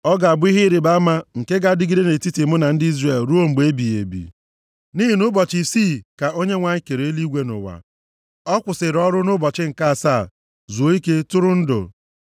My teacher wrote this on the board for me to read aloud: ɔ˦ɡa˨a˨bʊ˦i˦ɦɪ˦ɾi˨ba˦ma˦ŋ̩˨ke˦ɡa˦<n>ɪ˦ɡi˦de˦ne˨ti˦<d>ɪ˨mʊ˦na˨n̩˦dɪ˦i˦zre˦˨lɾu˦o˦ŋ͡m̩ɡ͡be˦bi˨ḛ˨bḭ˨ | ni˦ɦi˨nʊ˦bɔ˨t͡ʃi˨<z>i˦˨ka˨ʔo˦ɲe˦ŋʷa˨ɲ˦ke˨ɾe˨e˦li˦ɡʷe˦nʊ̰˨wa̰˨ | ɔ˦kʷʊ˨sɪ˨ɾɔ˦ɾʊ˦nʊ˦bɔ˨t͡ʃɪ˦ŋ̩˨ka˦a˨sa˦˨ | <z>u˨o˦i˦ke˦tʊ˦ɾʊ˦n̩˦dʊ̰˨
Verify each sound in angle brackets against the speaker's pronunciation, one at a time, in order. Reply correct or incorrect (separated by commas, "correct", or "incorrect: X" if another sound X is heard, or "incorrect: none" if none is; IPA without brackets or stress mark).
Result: incorrect: d, incorrect: t, incorrect: s, correct